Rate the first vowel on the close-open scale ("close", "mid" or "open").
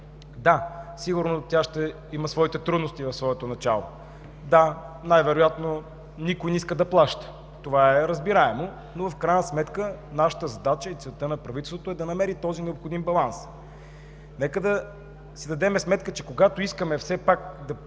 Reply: open